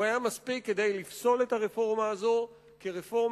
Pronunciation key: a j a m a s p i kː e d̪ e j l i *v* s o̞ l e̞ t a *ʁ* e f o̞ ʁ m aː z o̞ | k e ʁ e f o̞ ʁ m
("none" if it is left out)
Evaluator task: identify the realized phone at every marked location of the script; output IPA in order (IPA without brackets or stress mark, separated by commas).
f, ʁ